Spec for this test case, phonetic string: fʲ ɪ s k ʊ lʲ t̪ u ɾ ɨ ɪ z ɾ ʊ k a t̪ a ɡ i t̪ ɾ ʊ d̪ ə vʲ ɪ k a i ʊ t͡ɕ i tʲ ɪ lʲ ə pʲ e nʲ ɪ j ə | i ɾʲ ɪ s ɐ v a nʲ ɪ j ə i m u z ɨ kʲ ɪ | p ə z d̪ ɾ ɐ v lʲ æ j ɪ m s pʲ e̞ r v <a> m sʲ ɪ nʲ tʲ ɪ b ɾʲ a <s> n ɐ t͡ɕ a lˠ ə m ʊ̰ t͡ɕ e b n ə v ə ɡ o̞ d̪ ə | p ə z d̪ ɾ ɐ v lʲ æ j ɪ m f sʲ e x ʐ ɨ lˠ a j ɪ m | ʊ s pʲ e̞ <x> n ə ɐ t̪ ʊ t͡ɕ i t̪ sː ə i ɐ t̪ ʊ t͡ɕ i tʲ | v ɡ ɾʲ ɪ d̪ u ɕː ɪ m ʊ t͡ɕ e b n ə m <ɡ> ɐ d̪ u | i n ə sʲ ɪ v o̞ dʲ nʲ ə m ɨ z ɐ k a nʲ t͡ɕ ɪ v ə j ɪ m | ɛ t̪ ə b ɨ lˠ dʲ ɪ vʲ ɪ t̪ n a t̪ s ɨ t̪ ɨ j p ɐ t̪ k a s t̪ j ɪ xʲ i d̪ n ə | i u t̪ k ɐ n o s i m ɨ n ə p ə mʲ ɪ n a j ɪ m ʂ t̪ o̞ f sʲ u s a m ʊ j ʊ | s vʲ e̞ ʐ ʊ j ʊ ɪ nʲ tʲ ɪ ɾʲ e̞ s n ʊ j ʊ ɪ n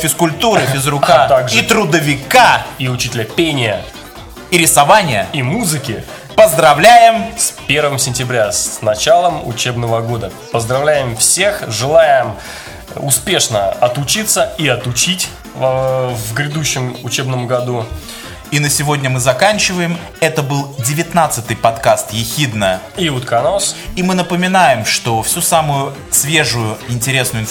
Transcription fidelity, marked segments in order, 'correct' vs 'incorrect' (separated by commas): incorrect, correct, incorrect, correct